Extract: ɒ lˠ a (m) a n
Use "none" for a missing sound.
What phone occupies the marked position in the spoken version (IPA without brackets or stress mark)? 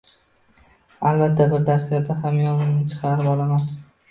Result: m